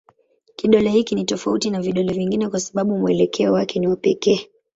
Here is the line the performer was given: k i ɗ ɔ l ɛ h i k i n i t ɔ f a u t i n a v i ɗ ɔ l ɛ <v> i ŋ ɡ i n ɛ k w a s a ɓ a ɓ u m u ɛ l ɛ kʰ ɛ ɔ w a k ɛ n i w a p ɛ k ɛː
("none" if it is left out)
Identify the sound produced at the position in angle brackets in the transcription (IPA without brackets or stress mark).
v